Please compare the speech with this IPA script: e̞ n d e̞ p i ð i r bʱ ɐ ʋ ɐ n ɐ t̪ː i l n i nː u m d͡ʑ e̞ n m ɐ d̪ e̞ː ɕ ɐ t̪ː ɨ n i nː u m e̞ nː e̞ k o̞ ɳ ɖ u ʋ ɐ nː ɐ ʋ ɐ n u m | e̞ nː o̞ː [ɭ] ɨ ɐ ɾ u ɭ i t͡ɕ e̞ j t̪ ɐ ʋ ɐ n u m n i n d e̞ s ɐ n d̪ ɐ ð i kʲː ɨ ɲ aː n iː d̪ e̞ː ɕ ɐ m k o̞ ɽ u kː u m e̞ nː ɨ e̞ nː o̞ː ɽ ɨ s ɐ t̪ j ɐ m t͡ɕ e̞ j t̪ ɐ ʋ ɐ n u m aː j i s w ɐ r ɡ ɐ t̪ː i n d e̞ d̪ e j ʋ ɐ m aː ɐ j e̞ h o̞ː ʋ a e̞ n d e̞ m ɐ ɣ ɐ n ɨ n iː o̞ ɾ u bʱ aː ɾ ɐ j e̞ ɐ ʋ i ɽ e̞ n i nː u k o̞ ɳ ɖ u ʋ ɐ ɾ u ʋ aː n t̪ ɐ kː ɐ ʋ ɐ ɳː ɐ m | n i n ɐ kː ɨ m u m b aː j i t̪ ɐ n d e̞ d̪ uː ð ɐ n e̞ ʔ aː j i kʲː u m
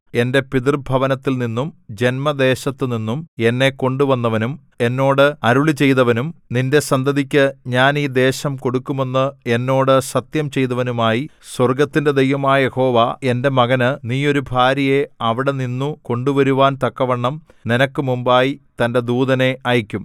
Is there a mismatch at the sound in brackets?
yes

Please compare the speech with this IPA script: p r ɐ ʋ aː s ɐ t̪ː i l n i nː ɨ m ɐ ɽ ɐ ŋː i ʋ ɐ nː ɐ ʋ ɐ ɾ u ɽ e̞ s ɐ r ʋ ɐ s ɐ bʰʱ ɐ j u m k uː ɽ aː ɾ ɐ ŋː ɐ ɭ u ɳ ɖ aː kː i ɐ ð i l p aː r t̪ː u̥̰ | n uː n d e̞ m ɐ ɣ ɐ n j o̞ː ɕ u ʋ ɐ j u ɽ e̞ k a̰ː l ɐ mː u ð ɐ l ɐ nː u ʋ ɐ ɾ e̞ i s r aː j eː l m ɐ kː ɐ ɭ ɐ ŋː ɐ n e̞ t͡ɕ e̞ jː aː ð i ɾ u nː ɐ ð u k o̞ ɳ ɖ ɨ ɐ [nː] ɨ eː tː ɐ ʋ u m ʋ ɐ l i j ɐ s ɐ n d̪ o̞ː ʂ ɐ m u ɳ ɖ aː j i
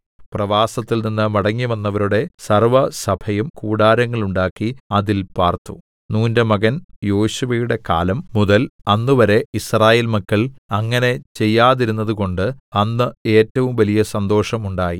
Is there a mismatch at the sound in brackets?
no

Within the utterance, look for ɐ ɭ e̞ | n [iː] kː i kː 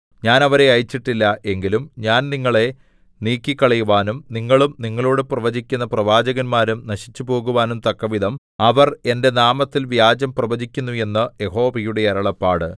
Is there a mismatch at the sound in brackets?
no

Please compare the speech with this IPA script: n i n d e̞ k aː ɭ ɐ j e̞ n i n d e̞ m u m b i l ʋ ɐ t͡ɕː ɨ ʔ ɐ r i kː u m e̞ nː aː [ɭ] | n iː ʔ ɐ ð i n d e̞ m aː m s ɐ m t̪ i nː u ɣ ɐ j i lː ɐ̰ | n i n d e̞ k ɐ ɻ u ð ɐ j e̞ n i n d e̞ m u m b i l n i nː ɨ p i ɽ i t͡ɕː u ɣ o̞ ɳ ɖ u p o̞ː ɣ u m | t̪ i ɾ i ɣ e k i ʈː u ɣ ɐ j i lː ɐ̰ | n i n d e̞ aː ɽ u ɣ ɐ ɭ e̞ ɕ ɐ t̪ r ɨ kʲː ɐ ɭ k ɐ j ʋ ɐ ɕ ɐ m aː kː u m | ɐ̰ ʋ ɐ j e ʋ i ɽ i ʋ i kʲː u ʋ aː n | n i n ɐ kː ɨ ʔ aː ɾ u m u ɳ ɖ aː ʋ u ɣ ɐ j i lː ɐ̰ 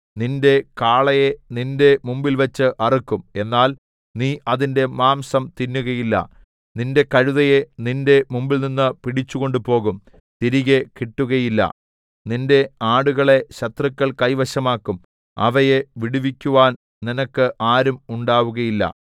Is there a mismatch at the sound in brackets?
yes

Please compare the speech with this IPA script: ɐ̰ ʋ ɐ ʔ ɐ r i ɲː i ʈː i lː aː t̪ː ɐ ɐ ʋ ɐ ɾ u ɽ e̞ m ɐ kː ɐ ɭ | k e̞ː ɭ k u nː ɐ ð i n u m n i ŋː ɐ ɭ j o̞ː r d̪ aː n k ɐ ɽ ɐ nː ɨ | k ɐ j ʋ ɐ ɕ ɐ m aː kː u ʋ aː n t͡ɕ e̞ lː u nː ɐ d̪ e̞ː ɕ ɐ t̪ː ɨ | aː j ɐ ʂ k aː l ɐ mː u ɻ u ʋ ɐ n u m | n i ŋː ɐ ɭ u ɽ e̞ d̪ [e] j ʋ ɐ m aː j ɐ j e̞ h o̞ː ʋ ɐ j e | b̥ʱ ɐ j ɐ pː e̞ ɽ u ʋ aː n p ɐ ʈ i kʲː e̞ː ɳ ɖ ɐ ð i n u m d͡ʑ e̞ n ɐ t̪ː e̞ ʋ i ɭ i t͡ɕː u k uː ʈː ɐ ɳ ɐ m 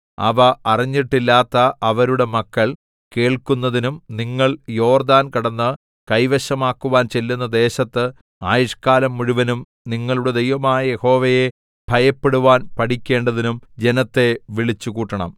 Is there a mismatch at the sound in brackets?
no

